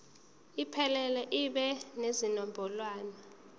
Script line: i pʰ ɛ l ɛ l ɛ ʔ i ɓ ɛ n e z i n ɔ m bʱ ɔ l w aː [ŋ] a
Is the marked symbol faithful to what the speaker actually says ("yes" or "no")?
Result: no